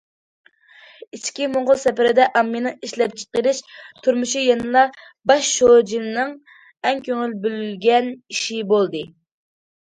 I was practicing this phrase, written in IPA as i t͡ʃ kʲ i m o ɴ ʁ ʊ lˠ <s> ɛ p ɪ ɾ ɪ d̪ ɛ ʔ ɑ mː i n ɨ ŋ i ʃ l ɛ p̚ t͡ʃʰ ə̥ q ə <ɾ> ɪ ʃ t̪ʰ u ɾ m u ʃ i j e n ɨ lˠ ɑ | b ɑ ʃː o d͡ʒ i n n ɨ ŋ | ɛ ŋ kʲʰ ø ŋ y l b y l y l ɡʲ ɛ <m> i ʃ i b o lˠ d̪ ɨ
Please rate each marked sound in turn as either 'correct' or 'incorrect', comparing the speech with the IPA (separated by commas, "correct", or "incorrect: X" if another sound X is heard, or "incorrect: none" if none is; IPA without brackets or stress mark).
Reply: correct, correct, incorrect: n